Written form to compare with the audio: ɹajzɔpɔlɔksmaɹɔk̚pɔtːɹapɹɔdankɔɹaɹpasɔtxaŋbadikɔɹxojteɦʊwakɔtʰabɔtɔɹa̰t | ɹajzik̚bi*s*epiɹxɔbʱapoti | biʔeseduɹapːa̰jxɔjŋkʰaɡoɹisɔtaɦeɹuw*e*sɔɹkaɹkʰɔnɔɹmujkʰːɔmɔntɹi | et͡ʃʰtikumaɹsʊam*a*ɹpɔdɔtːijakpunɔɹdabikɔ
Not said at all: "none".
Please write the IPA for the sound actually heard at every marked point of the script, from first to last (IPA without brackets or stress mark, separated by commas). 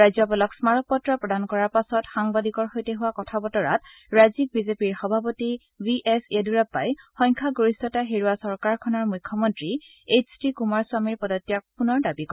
z, a, i